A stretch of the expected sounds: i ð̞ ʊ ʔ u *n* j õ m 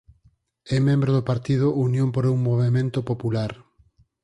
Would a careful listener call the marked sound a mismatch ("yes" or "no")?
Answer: no